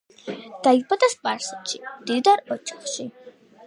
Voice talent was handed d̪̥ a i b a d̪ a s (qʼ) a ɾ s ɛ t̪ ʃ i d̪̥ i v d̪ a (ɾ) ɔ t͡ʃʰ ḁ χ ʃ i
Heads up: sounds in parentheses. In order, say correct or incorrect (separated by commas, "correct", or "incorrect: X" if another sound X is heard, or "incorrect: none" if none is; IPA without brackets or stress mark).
incorrect: pʼ, correct